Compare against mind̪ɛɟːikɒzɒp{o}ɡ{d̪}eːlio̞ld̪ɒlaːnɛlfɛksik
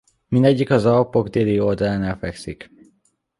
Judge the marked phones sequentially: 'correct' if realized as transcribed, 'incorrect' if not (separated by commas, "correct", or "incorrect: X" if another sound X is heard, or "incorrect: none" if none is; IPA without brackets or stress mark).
correct, correct